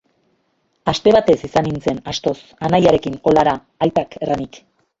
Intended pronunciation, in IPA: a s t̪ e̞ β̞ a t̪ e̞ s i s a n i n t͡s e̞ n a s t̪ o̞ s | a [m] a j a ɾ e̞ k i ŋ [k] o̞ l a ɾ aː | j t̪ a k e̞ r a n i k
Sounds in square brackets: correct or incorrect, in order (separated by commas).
incorrect, correct